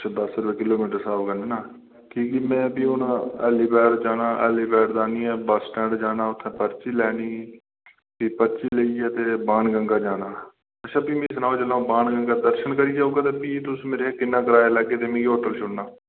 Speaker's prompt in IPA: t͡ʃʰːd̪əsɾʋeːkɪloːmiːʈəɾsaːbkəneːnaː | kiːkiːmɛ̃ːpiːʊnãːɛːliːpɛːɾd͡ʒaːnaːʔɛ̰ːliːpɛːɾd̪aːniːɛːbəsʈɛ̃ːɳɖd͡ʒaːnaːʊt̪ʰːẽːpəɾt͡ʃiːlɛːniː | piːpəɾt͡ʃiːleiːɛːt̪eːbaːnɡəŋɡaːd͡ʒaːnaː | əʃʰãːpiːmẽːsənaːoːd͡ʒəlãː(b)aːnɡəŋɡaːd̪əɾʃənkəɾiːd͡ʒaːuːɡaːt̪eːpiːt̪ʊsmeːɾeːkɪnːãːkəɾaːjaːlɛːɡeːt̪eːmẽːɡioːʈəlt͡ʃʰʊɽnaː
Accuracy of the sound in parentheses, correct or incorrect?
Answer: correct